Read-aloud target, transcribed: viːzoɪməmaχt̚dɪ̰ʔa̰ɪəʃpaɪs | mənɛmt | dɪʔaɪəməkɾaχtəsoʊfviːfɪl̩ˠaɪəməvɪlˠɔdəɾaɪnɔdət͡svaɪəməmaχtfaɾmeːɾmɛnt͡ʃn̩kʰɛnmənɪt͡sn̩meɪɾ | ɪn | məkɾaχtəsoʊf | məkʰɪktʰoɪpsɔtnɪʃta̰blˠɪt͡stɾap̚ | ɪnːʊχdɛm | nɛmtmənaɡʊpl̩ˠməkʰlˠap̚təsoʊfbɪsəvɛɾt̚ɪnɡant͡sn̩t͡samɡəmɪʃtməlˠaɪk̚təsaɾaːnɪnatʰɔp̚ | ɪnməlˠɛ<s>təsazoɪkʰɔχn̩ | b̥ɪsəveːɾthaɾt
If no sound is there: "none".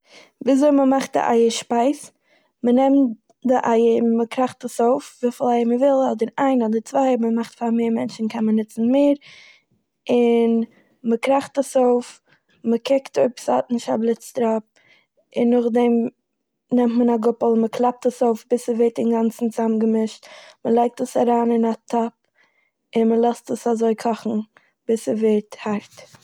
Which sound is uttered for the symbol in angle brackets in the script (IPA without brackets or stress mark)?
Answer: s